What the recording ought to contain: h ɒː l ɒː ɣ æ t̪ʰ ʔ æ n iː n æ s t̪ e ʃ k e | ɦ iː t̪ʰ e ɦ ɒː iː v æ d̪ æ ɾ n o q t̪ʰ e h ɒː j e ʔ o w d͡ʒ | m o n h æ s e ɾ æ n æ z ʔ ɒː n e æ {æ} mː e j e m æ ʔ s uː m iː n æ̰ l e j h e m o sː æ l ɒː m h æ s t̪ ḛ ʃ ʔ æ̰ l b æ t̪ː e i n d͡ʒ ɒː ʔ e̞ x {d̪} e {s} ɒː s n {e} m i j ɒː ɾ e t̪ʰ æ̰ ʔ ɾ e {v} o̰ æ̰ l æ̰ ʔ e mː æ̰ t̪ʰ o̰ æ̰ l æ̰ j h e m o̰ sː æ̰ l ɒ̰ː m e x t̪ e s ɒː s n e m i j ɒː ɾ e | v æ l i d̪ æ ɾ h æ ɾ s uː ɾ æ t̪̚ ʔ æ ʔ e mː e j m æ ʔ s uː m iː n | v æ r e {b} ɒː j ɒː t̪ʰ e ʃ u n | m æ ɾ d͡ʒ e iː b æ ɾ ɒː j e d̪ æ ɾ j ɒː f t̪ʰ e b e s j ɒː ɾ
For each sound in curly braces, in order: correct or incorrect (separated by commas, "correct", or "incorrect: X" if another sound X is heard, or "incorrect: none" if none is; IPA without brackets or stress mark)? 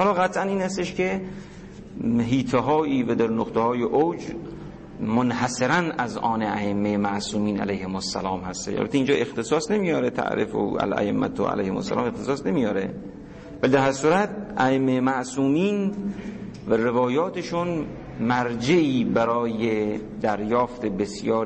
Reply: incorrect: e, incorrect: t̪, correct, correct, incorrect: f, incorrect: v